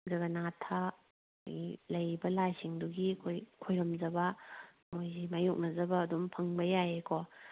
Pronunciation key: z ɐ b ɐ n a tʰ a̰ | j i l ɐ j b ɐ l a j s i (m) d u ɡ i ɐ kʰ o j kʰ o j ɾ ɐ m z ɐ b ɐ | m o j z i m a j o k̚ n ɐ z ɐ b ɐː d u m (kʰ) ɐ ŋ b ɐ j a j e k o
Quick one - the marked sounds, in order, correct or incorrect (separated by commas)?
incorrect, incorrect